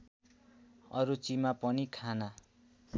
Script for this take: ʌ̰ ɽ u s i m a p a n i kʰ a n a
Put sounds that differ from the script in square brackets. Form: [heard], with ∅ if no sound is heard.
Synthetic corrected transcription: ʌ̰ [ɾ] u [t͡s] i m a p [ʌ] n i kʰ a n a